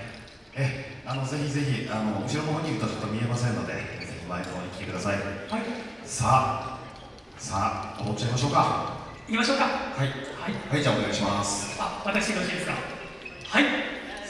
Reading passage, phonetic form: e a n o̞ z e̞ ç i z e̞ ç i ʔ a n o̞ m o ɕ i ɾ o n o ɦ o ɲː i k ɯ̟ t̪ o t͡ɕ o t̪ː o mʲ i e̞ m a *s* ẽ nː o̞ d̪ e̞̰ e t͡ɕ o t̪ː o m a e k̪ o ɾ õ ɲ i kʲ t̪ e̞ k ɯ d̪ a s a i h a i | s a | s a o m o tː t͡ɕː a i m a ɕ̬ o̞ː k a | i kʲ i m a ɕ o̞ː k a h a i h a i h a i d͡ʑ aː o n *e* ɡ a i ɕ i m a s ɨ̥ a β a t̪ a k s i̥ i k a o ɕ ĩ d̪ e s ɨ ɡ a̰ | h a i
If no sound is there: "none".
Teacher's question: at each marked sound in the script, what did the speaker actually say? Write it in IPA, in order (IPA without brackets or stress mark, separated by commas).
s, e